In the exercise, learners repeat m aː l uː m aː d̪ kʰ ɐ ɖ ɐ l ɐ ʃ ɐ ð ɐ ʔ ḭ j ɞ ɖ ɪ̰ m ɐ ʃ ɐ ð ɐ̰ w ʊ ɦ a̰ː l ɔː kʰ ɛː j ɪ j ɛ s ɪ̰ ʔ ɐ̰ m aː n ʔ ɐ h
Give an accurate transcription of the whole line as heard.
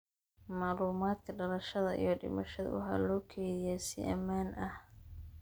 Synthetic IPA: m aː l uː m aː d̪ kʰ ɐ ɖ ɐ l ɐ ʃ ɐ ð ɐ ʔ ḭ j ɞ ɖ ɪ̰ m ɐ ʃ ɐ ð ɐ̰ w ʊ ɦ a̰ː l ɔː kʰ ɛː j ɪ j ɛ s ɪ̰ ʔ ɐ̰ m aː n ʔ ɐ h

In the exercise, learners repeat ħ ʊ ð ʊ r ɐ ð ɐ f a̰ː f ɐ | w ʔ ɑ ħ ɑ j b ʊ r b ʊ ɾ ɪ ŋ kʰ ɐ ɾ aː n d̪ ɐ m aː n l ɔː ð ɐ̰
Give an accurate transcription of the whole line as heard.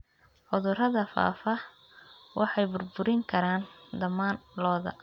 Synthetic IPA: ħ ʊ ð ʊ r ɐ ð ɐ f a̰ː f ɐ | w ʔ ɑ ħ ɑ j b ʊ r b ʊ ɾ ɪ ŋ kʰ ɐ ɾ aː n d̪ ɐ m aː n l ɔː ð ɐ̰

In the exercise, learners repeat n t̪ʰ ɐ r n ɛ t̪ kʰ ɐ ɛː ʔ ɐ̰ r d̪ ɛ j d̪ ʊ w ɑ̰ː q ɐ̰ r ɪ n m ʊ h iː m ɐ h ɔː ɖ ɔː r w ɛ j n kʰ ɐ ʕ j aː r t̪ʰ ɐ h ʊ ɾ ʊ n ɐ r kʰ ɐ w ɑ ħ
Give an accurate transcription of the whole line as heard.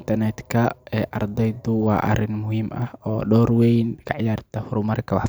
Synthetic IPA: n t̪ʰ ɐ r n ɛ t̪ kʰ ɐ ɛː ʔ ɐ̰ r d̪ ɛ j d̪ ʊ w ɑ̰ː ʔ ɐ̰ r ɪ n m ʊ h iː m ɐ h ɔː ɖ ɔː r w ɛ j n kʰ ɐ ʕ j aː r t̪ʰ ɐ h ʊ ɾ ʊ m ɐ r kʰ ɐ w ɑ ħ

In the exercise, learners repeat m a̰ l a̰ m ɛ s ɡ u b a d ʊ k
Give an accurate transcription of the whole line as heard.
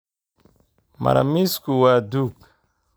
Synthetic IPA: m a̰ ɾ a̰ m i s k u w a d u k

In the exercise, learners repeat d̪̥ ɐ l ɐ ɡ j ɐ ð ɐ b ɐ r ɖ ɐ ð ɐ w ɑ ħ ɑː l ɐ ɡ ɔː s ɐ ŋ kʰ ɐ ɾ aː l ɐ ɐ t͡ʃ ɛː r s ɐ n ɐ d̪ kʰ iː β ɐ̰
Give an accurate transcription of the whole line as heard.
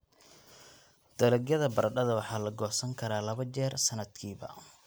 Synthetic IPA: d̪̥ ɐ l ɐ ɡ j ɐ ð ɐ b ɐ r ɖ ɐ ð ɐ w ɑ ħ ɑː l ɐ ɡ ɔː s ɐ ŋ kʰ ɐ ɾ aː l ɐ ɐ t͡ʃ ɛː r s ɐ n ɐ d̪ kʰ iː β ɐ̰

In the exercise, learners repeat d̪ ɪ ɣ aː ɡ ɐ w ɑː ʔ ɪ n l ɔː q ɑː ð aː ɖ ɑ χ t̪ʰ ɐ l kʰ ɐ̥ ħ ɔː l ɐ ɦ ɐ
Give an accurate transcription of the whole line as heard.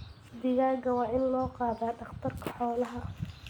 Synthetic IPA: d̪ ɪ ɣ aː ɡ ɐ w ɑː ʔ ɪ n l ɔː q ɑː ð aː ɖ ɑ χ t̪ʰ ɐ r kʰ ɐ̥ ħ ɔː l ɐ ɦ ɐ

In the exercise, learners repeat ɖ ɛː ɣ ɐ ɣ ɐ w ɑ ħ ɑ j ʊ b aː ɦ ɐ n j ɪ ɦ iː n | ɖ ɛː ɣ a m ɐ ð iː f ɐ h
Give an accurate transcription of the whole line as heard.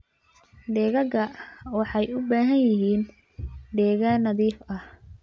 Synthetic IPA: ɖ ɛː ɣ ɐ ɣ ɐ w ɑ ħ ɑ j ʊ b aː ɦ ɐ n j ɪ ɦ iː n | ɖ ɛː ɣ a n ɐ ð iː f ɐ h

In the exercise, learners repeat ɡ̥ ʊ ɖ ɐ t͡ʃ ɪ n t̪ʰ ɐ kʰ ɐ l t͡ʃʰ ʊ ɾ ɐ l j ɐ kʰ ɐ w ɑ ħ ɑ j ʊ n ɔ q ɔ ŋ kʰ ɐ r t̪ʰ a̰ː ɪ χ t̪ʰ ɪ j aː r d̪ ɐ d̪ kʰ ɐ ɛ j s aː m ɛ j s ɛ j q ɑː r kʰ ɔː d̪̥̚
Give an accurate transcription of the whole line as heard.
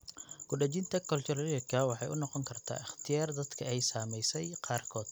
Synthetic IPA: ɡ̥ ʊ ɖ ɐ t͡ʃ ɪ n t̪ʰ ɐ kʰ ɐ l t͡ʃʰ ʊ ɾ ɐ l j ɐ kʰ ɐ w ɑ ħ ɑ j ʊ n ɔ q ɔ ŋ kʰ ɐ r t̪ʰ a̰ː ɪ χ t̪ʰ ɪ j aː r d̪ ɐ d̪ kʰ ɐ ɛ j s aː m ɛ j s ɛ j q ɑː r kʰ ɔː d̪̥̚

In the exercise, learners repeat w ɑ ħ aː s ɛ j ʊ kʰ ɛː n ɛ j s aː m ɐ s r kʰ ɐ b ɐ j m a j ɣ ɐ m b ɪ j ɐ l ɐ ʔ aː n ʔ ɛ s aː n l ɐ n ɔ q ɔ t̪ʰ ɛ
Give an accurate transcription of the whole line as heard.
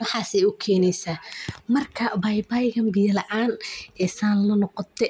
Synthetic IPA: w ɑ ħ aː s ɛ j ʊ kʰ ɛː n ɛ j s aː m ɐ r kʰ ɐ b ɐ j b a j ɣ ɐ m b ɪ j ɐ l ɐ ʔ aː n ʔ ɛ s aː n l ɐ n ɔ q ɔ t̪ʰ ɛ

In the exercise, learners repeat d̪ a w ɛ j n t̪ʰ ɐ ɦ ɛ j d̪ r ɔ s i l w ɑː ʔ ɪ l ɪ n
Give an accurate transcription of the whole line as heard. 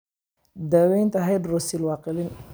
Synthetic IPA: d̪ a w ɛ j n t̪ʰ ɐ ɦ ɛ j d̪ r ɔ s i l w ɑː q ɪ l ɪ n

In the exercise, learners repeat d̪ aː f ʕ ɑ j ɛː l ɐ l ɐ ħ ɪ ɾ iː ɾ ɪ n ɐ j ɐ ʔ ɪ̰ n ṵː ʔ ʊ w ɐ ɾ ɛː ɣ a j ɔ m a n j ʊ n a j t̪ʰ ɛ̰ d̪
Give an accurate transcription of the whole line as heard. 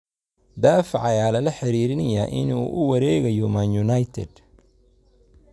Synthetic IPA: d̪ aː f ʕ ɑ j aː l ɐ l ɐ ħ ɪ ɾ iː ɾ ɪ n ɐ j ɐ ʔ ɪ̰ n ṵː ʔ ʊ w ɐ ɾ ɛː ɣ ɐ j ɔ m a n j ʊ n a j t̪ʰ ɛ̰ d̪

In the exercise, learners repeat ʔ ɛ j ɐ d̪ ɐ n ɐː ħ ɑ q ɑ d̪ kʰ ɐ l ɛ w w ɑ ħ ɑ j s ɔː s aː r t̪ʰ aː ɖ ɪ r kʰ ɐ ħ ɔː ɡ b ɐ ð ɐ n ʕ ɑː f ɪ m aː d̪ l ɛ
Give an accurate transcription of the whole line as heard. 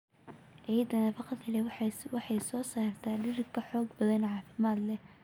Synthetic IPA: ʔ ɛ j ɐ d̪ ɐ n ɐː f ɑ q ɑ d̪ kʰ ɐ l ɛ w w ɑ ħ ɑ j s ɔː s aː r t̪ʰ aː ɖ ɪ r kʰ ɐ ħ ɔː ɡ b ɐ ð ɐ n ʕ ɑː f ɪ m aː d̪ l ɛ

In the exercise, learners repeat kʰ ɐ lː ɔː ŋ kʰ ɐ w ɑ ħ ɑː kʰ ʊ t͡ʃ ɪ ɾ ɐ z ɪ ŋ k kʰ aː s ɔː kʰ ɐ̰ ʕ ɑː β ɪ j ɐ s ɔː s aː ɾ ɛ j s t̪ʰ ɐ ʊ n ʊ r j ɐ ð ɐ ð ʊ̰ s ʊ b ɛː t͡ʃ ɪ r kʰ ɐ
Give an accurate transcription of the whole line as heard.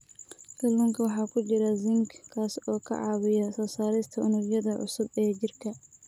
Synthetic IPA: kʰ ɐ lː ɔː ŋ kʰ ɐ w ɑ ħ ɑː kʰ ʊ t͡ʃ ɪ ɾ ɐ z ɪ ŋ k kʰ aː s ɔː kʰ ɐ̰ ʕ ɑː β ɪ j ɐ s ɔː s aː ɾ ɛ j s t̪ʰ ɐ ʊ n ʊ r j ɐ ð ɐ ʕ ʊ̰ s ʊ b ɛː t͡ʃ ɪ r kʰ ɐ

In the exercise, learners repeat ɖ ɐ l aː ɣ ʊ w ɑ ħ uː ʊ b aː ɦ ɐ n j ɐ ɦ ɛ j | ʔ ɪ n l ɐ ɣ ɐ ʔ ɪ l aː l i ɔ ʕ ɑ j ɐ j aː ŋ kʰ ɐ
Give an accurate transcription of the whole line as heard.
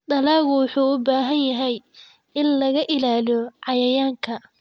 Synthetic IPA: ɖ ɐ l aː ɣ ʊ w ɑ ħ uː ʊ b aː ɦ ɐ n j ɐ ɦ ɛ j | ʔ ɪ n l ɐ ɣ ɐ ʔ ɪ l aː l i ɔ ʕ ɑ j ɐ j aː ŋ kʰ ɐ

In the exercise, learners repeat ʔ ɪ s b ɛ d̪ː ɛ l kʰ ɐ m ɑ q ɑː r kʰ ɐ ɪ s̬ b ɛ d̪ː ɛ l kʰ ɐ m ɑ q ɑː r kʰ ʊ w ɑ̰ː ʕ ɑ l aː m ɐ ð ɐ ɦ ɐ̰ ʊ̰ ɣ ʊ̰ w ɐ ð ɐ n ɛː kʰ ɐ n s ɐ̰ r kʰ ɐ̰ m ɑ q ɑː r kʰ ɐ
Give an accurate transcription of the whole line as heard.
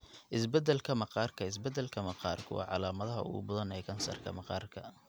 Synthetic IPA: ʔ ɪ s b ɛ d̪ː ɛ l kʰ ɐ m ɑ q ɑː r kʰ ɐ ɪ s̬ b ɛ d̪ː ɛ l kʰ ɐ m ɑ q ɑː r kʰ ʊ w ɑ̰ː ʕ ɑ l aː m ɐ ð ɐ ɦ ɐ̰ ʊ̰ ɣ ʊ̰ b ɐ ð ɐ n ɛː kʰ ɐ n s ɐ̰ r kʰ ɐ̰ m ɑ q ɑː r kʰ ɐ

